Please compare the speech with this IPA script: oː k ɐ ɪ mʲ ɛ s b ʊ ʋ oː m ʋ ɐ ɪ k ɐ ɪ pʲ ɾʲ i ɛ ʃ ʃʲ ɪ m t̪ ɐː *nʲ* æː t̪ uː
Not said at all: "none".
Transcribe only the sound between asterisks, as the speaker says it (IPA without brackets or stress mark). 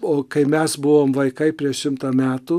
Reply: mʲ